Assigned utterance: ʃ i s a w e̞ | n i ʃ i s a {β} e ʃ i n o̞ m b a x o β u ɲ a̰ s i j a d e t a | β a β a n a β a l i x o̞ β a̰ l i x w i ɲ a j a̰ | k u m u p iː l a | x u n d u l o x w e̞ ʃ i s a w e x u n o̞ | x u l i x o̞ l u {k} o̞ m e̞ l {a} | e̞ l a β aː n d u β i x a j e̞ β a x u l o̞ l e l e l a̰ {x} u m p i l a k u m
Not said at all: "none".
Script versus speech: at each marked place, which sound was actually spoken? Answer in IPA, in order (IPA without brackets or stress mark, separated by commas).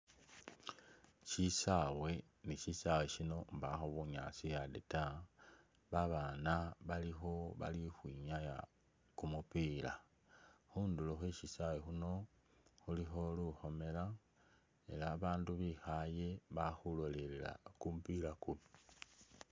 w, x, a, k